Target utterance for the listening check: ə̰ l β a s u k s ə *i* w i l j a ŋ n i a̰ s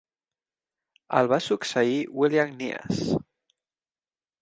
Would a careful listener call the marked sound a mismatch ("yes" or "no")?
no